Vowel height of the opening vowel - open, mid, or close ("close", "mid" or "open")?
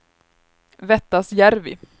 mid